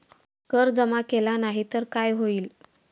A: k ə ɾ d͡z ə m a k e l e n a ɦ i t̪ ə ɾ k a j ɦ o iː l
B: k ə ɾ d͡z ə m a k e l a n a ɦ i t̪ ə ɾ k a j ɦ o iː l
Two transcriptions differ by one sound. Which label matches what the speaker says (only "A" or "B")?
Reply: B